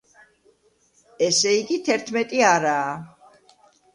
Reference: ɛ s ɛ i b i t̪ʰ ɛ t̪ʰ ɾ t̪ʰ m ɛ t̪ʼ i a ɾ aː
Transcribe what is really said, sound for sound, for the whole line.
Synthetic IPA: ɛ s ɛ i ɡ i t̪ʰ ɛ ɾ t̪ʰ m ɛ t̪ʼ i a ɾ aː